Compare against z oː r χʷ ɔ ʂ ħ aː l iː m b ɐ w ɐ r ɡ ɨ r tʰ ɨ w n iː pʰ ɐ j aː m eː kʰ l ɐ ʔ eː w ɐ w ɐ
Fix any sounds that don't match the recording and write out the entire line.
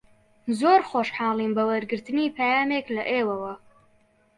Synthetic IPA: z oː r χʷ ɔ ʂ ħ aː l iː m b ɐ w ɐ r ɡ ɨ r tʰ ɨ n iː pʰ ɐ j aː m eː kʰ l ɐ ʔ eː w ɐ w ɐ